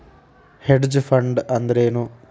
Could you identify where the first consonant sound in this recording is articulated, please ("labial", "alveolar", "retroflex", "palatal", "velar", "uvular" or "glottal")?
glottal